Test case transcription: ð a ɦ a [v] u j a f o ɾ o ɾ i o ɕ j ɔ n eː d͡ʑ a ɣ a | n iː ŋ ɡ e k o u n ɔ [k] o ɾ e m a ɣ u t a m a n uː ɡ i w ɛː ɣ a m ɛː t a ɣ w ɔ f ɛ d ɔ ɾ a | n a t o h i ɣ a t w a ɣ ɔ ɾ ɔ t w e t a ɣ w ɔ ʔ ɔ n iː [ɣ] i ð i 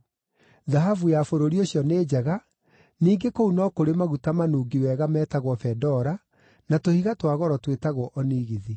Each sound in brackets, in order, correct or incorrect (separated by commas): correct, correct, correct